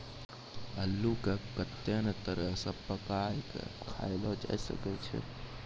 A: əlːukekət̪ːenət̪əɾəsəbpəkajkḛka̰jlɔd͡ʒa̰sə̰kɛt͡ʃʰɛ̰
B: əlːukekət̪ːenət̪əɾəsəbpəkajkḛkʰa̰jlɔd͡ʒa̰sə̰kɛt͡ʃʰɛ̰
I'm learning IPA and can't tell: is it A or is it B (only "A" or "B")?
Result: B